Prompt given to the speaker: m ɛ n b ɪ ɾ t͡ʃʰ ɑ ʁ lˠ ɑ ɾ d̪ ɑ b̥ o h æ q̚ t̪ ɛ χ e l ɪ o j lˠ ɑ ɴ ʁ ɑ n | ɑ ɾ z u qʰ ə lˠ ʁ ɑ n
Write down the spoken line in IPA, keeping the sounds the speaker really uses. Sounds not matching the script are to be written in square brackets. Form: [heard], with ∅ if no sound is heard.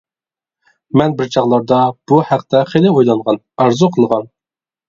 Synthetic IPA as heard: m ɛ n b ɪ ɾ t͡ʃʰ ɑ ʁ lˠ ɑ ɾ d̪ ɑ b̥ [u] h æ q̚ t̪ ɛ χ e l ɪ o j lˠ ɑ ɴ ʁ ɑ n | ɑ ɾ z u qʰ ə lˠ ʁ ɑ n